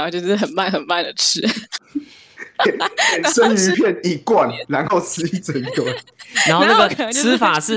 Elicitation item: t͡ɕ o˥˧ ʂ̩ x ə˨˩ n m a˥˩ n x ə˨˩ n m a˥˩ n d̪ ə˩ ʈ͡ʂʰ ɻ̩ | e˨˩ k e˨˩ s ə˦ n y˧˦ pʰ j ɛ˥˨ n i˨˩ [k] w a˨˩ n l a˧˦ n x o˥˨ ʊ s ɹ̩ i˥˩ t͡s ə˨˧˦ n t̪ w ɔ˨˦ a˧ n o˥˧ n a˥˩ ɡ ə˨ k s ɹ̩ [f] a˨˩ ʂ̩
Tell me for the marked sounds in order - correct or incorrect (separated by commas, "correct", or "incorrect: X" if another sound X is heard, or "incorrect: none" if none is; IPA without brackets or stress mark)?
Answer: correct, correct